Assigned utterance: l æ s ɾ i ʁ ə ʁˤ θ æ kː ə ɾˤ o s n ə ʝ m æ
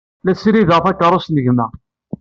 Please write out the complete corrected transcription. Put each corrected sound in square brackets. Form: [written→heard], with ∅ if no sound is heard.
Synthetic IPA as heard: l æ s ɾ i [ʁ→ð] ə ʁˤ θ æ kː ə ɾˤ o s n ə ʝ m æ